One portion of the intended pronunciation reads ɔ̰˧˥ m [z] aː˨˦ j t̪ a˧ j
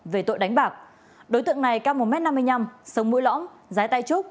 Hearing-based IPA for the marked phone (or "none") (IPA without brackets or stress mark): z